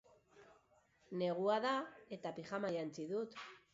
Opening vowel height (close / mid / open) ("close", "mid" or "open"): mid